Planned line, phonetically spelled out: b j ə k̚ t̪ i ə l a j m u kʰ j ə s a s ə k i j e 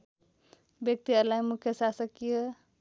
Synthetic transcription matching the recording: b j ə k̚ t̪ i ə l a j m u kʰ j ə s a s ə k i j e